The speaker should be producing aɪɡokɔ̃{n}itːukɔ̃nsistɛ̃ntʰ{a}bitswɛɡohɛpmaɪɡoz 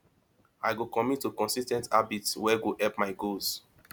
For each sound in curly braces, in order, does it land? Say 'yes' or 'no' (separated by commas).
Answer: no, yes